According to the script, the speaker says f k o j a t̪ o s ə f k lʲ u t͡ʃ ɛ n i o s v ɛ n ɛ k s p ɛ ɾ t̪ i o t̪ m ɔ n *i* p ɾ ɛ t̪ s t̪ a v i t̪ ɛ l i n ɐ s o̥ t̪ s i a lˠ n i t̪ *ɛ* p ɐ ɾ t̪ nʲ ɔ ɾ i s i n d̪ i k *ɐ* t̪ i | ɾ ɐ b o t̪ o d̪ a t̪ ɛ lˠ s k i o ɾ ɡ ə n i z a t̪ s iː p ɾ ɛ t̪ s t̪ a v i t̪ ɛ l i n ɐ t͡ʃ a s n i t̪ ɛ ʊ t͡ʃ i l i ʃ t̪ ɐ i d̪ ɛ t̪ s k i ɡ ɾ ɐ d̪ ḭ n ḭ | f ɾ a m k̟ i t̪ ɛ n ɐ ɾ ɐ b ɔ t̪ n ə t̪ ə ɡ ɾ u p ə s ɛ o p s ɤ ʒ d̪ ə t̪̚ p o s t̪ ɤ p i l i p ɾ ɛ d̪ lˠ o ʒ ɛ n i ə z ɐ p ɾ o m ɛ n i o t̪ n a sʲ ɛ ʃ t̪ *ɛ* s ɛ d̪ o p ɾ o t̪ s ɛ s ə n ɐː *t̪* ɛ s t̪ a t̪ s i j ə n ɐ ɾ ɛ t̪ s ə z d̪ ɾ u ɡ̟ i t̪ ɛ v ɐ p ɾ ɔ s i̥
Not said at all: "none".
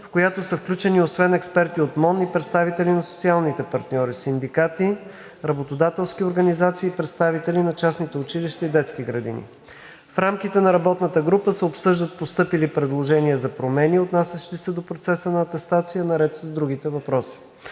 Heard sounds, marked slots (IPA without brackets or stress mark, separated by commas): i, ɛ, a, i, t̪